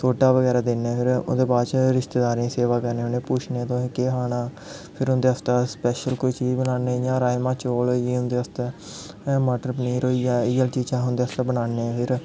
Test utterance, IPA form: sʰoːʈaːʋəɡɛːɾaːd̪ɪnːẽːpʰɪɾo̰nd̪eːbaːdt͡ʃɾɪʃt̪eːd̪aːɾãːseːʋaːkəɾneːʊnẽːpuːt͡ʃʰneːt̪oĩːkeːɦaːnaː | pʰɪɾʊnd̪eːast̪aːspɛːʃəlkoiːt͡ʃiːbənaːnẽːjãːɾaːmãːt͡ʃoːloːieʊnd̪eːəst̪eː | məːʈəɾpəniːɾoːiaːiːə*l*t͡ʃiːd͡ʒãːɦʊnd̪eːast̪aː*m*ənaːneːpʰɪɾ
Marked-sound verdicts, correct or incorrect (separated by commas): correct, incorrect